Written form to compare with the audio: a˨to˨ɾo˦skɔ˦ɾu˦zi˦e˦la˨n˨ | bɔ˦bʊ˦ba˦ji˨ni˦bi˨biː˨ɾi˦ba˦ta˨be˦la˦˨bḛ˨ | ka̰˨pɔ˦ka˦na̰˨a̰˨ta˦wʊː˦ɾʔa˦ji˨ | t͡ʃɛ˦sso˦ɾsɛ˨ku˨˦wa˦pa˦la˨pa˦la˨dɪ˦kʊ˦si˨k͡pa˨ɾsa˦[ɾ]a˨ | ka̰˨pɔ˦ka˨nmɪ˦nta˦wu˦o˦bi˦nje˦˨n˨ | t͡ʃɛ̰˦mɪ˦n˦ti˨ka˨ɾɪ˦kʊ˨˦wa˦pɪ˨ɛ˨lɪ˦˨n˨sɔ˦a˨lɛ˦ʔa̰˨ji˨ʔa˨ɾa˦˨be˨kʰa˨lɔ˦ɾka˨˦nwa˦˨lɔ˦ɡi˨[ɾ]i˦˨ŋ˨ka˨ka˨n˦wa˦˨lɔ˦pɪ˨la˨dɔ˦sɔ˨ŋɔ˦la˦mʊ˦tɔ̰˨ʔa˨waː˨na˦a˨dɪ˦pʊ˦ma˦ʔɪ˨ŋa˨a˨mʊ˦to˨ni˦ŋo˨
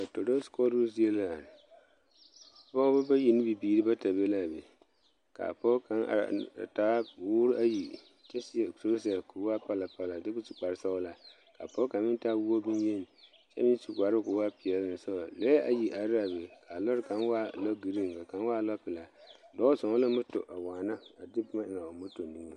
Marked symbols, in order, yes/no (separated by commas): no, yes